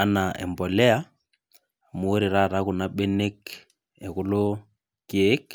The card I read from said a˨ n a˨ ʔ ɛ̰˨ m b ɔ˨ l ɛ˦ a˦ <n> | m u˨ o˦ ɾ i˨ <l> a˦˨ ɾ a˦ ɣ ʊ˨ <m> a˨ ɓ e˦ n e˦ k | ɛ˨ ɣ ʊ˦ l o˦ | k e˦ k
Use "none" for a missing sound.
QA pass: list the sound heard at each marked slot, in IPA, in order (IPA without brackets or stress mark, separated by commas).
none, ɾ, n